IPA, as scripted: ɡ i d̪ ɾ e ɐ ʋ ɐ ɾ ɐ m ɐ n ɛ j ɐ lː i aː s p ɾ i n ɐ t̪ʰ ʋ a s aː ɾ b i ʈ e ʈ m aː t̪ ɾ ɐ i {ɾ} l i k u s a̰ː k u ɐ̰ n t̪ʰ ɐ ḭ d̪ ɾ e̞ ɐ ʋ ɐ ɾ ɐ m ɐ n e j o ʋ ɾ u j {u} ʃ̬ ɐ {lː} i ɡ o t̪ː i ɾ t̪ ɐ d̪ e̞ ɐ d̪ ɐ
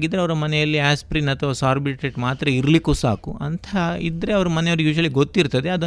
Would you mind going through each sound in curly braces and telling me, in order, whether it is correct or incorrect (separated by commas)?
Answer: correct, incorrect, incorrect